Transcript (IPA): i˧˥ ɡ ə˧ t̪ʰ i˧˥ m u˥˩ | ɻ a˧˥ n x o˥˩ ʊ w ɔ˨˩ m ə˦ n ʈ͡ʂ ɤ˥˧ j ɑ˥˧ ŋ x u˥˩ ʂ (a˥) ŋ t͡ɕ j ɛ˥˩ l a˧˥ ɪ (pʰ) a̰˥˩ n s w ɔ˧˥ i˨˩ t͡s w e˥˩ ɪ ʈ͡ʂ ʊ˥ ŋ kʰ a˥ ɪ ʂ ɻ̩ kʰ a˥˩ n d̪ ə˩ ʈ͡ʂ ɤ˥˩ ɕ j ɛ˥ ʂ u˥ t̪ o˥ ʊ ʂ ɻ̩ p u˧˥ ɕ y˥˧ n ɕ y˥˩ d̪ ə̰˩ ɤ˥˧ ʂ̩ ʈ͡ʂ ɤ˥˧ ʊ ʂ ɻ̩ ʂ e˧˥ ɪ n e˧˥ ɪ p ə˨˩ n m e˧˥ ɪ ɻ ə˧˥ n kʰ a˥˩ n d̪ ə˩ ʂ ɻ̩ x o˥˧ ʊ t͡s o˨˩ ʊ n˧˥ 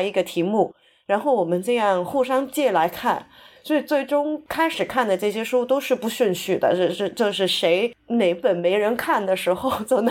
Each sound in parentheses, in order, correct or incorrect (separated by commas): incorrect, incorrect